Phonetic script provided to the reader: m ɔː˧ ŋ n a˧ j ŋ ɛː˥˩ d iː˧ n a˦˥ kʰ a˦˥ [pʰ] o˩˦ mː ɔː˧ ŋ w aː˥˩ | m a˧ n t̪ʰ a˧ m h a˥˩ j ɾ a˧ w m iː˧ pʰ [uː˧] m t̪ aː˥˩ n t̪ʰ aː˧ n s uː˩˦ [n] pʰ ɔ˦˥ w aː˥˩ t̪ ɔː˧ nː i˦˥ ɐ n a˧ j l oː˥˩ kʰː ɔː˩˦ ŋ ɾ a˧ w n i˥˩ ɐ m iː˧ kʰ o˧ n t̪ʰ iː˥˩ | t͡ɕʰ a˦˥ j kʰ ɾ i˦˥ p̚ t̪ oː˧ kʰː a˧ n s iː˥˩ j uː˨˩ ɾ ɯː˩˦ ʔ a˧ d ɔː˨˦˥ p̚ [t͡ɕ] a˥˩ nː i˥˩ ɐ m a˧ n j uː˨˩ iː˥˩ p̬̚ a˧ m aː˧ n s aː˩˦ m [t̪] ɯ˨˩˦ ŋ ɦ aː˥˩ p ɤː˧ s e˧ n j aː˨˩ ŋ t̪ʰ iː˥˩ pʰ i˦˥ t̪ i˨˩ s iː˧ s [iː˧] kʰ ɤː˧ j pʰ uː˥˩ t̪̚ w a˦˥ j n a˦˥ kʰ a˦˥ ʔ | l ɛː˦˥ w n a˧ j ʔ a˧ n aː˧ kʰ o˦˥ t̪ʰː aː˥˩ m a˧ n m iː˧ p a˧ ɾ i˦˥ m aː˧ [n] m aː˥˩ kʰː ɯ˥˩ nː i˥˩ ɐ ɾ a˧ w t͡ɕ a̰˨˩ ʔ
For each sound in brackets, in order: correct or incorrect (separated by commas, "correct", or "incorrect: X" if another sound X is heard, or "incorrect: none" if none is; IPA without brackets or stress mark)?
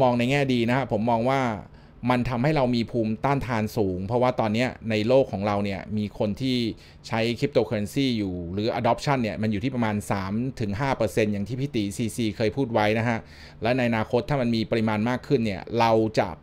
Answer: correct, correct, incorrect: ŋ, incorrect: t͡ɕʰ, incorrect: t̪ʰ, correct, correct